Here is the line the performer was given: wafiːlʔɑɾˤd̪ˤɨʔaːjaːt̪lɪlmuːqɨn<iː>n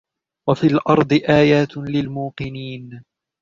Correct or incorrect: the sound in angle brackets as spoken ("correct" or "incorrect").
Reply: correct